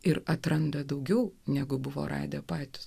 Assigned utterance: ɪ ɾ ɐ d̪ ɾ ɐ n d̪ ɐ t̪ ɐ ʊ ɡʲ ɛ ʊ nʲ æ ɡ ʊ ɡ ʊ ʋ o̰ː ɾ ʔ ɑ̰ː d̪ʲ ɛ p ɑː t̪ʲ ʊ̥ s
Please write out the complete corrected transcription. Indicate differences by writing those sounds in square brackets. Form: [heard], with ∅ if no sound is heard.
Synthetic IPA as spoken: ɪ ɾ ɐ [t̪] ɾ ɐ n d̪ ɐ [d̪] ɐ ʊ ɡʲ ɛ ʊ nʲ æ ɡ ʊ [b] ʊ ʋ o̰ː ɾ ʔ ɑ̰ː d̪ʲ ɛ p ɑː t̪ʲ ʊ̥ s